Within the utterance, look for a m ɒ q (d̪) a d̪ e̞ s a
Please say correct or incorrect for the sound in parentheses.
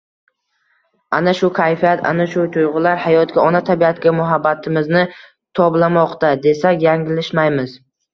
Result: incorrect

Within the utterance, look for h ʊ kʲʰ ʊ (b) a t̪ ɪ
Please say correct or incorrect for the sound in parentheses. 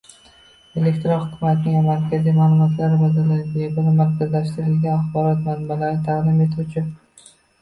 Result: incorrect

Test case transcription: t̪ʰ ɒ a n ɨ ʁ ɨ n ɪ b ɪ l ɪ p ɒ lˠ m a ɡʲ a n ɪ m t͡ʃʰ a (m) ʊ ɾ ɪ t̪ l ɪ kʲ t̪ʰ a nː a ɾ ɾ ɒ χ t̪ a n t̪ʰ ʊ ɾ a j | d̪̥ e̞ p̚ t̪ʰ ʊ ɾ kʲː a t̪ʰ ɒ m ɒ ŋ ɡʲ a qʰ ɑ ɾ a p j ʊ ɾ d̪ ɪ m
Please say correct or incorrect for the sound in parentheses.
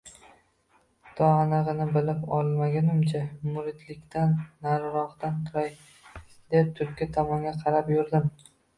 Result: correct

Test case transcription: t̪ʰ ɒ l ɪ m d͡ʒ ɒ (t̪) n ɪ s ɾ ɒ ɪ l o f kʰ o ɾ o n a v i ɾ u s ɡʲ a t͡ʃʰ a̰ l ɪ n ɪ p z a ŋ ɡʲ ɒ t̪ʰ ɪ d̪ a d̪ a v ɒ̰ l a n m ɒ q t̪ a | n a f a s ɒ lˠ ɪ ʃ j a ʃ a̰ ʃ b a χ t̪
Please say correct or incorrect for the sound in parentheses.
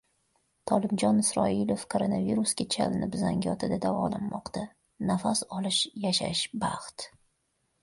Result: incorrect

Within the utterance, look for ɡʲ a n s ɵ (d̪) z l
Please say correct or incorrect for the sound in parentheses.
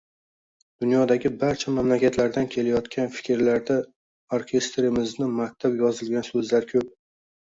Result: incorrect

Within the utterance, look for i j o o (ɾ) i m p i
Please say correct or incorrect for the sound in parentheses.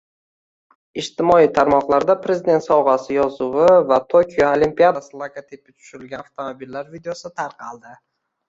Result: incorrect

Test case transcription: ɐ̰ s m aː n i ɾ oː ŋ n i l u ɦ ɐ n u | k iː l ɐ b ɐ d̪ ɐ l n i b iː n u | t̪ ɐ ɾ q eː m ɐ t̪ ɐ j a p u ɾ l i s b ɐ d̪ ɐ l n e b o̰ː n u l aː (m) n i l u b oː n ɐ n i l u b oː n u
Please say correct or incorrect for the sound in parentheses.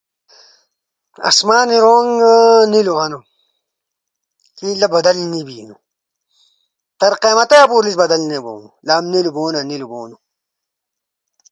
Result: correct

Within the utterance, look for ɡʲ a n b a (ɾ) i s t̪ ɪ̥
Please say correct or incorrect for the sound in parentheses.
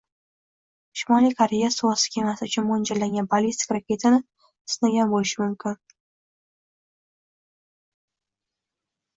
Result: incorrect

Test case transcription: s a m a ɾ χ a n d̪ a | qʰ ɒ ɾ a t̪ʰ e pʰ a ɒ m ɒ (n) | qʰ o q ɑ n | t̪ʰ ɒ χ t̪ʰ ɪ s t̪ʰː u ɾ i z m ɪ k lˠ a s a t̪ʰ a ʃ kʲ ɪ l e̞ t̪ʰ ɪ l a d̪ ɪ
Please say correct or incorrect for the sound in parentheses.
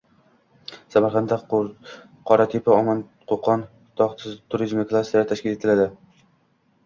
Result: correct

